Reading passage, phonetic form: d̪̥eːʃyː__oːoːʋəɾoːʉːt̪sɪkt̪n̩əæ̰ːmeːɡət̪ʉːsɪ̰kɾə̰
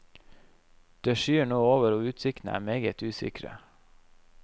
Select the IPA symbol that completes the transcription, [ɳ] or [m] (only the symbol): ɳ